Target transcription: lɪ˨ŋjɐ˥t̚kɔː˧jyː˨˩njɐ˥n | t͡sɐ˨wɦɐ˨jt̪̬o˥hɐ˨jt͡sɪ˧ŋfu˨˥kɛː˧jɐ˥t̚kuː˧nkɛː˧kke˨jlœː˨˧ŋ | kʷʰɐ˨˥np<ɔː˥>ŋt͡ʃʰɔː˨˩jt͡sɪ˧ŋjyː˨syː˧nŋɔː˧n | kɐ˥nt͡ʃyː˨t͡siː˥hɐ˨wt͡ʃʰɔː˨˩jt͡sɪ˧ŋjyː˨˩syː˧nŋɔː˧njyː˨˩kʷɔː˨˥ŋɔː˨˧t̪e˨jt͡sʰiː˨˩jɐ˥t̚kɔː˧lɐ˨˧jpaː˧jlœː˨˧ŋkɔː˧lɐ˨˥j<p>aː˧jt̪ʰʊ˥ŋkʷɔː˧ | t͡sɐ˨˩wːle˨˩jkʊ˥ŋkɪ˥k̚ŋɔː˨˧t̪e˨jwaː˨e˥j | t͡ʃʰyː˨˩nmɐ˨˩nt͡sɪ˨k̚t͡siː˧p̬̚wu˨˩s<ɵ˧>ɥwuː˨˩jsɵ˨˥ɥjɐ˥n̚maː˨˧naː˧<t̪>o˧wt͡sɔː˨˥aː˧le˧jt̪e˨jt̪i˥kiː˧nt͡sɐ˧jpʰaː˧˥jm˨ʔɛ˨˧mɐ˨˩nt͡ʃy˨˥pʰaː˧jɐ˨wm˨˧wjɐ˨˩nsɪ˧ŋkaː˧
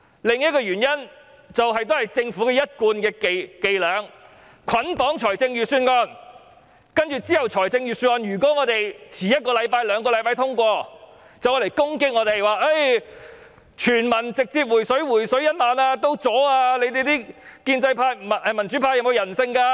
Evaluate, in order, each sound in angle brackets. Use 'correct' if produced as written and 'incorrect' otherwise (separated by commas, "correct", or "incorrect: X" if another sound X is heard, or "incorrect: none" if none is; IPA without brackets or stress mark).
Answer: incorrect: ɔː˨˥, correct, incorrect: ɵ˨˥, correct